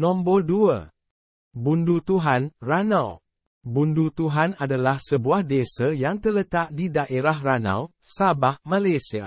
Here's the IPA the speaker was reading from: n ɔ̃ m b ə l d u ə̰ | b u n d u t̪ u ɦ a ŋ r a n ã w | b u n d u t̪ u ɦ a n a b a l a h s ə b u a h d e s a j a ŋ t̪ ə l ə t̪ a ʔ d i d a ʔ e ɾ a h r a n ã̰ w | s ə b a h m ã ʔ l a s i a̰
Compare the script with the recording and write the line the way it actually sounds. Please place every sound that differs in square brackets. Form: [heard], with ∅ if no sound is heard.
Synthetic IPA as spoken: n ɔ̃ m b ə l d u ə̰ | b u n d u t̪ u ɦ a [n] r a n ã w | b u n d u t̪ u ɦ a n a [d] a l a h s ə b u a h d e s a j a ŋ t̪ ə l ə t̪ a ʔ d i d a ʔ e ɾ a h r a n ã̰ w | s [a] b a h m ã [∅] l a s i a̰